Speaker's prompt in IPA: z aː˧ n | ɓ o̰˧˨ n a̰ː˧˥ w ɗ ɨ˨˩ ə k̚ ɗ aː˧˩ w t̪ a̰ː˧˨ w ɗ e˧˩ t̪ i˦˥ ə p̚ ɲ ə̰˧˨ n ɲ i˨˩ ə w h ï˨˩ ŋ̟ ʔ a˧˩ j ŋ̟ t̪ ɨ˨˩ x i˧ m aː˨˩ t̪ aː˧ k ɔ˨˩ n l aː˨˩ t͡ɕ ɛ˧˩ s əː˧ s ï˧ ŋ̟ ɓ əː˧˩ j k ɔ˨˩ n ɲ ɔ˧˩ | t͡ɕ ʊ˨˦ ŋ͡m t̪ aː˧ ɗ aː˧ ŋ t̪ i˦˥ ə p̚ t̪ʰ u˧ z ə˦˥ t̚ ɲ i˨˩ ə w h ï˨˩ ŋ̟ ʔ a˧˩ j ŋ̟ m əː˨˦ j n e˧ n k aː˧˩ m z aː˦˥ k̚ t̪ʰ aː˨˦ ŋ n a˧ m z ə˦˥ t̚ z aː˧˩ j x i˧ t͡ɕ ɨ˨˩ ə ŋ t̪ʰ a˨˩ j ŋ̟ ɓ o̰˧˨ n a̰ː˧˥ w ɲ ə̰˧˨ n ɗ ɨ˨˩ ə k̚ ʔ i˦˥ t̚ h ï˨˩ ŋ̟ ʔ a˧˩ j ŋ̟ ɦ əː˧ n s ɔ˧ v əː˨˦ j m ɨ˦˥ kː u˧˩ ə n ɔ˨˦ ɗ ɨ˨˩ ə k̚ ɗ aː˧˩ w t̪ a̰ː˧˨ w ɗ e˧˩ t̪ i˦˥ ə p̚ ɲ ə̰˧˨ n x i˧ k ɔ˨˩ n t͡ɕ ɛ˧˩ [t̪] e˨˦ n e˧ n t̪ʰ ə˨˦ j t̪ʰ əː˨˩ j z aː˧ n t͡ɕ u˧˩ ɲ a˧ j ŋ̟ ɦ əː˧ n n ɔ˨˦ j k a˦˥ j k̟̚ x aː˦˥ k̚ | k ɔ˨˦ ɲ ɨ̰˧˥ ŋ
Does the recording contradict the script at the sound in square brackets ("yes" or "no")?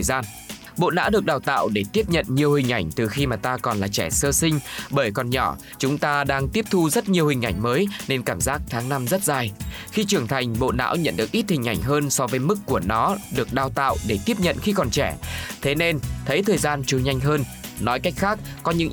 yes